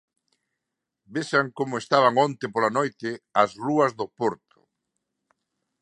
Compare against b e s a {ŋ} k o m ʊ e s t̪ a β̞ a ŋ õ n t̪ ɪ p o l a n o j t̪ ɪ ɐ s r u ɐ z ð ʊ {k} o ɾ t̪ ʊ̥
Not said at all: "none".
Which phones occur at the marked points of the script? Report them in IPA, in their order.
ŋ, p

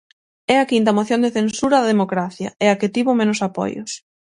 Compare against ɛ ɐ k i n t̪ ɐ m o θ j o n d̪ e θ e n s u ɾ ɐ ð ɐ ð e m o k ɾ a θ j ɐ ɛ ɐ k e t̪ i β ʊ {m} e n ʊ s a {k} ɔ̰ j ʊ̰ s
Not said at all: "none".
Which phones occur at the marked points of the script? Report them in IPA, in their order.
m, p

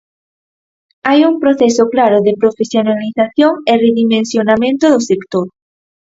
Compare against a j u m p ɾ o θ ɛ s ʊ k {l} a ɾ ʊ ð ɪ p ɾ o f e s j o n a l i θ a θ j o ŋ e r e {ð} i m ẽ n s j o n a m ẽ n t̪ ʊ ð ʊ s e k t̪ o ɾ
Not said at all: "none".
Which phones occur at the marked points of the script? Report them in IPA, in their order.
l, ð

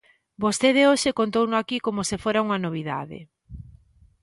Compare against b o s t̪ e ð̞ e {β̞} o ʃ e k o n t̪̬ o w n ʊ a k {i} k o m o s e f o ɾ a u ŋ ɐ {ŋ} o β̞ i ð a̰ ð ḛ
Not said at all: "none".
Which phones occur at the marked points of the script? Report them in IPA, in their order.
none, i, n

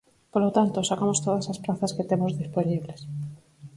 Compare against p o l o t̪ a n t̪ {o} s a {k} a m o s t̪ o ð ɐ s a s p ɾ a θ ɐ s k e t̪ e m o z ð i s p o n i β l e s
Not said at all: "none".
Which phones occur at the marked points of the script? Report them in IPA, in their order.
o, k

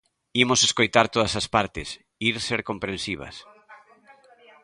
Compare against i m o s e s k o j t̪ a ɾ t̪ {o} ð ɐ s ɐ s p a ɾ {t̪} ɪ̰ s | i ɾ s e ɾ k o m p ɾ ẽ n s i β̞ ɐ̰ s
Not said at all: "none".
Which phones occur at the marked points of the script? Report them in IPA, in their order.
o, t̪

